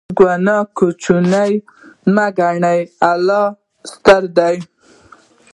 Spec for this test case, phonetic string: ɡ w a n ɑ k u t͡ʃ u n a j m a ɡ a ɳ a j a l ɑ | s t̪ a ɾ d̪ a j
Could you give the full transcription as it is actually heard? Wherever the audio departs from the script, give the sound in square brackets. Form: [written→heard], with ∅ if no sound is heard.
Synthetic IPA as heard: ɡ w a n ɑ k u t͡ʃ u n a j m a ɡ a ɳ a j a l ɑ | s t̪ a ɾ d̪ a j